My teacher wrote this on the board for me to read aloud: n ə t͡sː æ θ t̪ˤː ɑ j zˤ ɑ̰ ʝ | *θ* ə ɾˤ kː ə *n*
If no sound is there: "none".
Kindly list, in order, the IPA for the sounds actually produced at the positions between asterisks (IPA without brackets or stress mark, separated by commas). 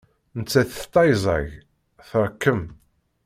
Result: θ, m